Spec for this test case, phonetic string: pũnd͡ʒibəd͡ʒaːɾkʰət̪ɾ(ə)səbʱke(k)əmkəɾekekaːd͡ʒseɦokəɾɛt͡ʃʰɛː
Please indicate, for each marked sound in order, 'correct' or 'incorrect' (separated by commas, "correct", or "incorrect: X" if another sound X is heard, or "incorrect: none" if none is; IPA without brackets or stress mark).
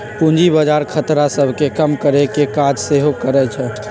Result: incorrect: a, correct